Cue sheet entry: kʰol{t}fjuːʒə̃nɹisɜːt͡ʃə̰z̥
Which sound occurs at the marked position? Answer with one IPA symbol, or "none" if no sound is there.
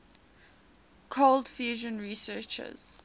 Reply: d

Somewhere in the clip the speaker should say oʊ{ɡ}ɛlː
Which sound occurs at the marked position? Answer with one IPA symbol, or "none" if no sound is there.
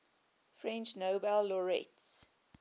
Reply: b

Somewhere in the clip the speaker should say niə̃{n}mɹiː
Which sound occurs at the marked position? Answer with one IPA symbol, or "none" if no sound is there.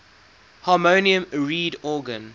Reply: none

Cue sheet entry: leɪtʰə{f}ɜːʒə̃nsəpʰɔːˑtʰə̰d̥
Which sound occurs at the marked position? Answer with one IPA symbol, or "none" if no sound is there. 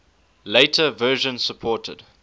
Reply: v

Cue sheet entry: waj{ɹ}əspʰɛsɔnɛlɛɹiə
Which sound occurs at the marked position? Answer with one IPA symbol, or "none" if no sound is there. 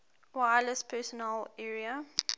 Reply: l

